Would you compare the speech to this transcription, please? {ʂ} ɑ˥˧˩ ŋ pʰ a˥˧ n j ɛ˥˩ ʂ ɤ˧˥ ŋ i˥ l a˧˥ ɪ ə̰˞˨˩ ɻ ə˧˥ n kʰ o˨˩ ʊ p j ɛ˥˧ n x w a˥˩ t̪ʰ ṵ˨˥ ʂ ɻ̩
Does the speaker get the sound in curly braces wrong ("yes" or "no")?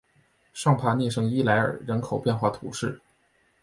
no